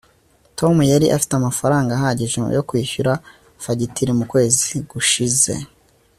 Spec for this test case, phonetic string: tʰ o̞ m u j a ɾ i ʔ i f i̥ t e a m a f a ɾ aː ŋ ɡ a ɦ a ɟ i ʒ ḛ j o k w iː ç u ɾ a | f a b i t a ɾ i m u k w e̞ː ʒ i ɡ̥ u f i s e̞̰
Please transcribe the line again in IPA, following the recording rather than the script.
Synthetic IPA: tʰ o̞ m u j a ɾ i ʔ a f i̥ t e a m a f a ɾ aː ŋ ɡ a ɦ a ɟ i ʒ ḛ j o k w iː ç u ɾ a | f a ɟ i t i ɾ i m u k w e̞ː z i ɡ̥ u ʃ i z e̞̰